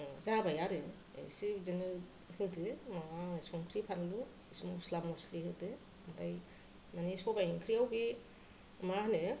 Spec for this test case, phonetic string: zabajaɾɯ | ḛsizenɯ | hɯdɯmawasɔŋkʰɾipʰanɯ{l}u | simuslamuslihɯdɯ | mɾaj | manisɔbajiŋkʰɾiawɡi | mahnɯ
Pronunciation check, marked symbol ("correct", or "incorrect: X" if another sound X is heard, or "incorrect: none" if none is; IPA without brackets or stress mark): correct